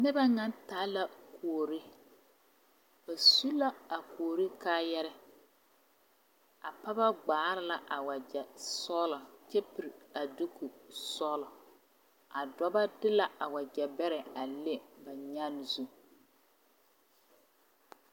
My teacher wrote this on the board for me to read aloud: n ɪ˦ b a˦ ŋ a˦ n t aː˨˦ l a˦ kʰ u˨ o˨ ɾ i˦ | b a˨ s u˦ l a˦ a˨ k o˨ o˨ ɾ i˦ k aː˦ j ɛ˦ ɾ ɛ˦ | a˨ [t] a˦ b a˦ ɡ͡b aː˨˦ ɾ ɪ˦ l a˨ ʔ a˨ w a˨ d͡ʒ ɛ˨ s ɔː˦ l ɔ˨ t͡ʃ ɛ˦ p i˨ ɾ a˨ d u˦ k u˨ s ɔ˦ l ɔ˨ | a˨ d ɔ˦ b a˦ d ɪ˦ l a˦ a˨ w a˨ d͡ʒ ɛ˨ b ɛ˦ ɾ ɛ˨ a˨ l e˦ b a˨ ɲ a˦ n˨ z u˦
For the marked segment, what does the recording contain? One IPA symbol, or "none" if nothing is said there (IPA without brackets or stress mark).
p